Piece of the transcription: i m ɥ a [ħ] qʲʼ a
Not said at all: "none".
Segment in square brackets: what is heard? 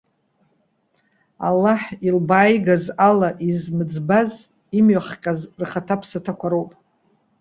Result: χ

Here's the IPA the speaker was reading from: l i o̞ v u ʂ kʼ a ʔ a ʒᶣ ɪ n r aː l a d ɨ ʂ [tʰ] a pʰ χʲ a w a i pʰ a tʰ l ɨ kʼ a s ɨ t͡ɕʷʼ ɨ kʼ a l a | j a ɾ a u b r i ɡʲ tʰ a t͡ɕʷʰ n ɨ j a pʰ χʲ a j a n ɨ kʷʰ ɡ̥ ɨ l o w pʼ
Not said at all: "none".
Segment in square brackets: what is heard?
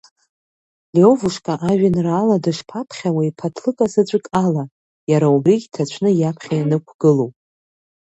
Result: pʰ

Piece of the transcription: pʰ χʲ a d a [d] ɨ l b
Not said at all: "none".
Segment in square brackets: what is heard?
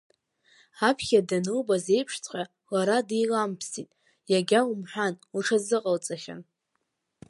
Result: n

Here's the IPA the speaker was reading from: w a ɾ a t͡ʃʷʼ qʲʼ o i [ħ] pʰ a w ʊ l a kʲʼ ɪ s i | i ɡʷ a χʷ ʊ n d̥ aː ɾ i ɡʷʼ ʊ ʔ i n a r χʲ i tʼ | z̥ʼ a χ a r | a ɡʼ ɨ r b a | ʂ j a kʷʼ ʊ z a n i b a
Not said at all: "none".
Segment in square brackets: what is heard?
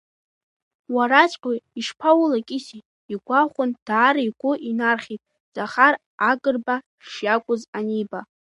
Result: ʂ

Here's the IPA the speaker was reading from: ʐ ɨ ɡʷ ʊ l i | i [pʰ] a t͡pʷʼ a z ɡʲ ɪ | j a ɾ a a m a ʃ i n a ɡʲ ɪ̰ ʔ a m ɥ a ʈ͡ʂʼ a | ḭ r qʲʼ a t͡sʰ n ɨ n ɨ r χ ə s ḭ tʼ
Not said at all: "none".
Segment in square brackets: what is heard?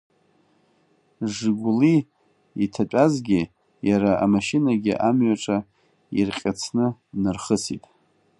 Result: tʰ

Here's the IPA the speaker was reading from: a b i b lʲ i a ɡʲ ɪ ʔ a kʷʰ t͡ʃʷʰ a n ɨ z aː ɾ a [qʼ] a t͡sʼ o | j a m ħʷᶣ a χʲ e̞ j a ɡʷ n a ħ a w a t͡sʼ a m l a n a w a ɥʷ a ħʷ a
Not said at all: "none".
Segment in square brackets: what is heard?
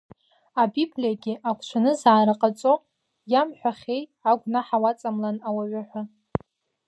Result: qʼ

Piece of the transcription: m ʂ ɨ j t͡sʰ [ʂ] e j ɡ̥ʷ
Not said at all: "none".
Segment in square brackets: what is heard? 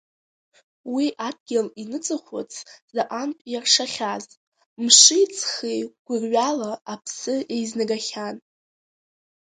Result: χ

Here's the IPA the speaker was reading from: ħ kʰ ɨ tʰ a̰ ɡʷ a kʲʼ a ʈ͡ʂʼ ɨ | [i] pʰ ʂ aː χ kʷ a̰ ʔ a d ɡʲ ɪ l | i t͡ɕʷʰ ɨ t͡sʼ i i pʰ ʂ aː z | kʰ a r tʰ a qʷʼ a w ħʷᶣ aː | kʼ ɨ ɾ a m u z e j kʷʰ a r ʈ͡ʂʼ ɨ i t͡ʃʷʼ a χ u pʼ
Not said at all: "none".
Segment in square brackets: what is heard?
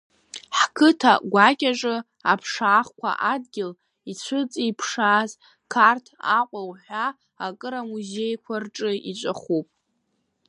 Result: a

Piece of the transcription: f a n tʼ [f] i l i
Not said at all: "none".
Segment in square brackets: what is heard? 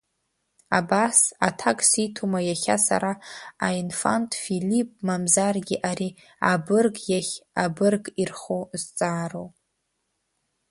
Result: f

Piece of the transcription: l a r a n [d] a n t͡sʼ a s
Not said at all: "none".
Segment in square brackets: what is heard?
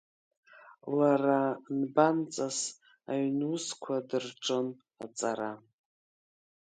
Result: b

